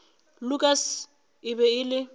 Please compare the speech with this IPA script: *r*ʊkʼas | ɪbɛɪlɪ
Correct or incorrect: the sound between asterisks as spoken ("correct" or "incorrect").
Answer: incorrect